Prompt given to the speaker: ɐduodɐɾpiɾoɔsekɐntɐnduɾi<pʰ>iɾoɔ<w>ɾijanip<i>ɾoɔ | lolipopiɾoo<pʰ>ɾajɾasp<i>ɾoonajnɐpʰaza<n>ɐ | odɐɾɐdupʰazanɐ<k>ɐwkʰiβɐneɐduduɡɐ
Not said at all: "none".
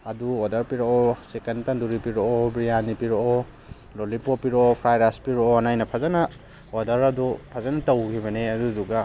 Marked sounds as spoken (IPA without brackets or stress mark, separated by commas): p, b, i, pʰ, i, n, t